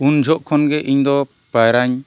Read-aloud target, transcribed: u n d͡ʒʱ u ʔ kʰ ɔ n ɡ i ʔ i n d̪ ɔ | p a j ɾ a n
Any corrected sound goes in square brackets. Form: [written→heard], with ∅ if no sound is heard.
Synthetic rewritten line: u n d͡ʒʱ [u→ɔ] ʔ kʰ ɔ n ɡ [i→ɛ] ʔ i [n→ɲ] d̪ ɔ | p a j ɾ a [n→ɲ]